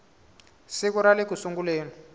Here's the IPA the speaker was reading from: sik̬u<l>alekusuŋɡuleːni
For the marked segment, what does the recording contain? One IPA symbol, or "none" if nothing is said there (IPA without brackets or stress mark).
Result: ɾ